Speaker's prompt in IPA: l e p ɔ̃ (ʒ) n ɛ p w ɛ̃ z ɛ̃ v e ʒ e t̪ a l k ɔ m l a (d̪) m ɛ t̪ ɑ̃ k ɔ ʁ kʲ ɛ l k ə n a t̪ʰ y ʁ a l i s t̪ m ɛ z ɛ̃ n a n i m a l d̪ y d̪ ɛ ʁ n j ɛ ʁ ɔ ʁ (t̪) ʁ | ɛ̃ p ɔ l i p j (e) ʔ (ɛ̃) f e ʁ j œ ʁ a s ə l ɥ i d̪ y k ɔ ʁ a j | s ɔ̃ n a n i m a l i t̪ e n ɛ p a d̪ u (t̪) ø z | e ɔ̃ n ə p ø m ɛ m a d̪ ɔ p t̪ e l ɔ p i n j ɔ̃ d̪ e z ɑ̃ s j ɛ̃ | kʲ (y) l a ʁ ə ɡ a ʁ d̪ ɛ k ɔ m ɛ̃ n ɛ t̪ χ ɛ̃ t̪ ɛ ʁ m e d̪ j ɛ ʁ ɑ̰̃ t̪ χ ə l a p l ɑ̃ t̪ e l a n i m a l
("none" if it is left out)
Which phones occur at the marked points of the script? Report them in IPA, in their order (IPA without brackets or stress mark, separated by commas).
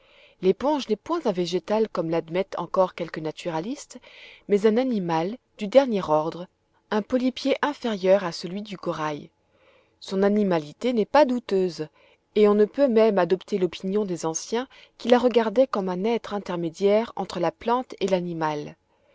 ʒ, d̪, d̪, e, ɛ̃, t̪, i